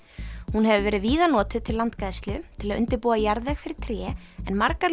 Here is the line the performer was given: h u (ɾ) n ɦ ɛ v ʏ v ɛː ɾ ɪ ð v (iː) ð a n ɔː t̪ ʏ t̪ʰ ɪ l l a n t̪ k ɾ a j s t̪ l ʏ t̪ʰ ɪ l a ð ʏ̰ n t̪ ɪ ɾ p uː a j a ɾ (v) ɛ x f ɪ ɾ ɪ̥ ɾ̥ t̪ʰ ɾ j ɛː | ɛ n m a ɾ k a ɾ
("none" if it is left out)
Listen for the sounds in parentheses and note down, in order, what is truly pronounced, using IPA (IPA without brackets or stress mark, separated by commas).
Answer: none, iː, ð